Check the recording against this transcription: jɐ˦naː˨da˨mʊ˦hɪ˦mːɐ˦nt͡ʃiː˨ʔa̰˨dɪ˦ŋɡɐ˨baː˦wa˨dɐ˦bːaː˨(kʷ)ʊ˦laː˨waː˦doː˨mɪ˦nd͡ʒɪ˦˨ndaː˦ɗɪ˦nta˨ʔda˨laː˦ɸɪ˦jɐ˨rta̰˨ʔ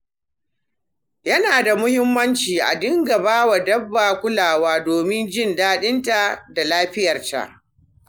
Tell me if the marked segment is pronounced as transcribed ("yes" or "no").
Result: yes